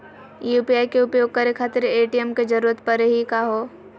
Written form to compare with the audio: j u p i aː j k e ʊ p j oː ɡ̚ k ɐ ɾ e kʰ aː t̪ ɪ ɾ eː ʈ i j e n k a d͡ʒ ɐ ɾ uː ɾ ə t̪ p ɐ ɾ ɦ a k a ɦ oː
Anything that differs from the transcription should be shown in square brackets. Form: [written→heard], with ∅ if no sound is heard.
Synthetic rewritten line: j u p i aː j k e ʊ p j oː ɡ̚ k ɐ ɾ e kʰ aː t̪ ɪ ɾ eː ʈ i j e [n→m] k [a→e] d͡ʒ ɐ ɾ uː ɾ ə t̪ p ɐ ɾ ɦ [a→i] k a ɦ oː